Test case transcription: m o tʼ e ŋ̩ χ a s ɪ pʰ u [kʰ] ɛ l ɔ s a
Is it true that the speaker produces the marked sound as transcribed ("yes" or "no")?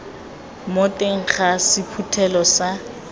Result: no